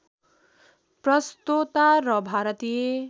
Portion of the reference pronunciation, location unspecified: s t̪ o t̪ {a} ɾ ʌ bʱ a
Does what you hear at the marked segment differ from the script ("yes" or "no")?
no